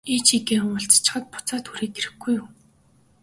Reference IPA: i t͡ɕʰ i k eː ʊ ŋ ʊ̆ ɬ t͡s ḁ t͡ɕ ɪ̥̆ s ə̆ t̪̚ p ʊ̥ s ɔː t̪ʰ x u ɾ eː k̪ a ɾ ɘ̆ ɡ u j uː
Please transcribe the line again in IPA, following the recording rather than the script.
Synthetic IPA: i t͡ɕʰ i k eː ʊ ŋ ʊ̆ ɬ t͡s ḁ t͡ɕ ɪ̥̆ χ ə̆ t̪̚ p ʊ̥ t͡s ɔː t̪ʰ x u ɾ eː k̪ e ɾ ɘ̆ ɡ u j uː